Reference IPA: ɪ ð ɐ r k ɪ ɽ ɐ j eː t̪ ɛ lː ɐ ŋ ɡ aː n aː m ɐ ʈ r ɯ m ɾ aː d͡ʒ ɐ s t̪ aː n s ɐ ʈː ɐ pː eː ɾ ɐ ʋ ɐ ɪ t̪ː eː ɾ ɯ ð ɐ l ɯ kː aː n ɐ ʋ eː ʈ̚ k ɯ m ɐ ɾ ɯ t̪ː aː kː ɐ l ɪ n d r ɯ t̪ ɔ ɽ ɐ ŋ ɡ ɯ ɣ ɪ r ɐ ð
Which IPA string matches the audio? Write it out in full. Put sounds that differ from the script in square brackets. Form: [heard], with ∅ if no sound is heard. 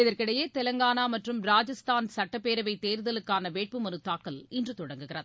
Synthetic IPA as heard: ɪ ð ɐ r k ɪ ɽ ɐ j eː t̪ ɛ [l] ɐ ŋ ɡ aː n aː m ɐ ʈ r ɯ m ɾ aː d͡ʒ ɐ s t̪ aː n s ɐ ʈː ɐ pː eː ɾ ɐ ʋ ɐ ɪ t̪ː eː ɾ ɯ ð ɐ l ɯ kː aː n ɐ ʋ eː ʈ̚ [p] ɯ m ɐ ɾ ɯ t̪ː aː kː ɐ l ɪ n d r ɯ t̪ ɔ ɽ ɐ ŋ ɡ ɯ ɣ ɪ r ɐ ð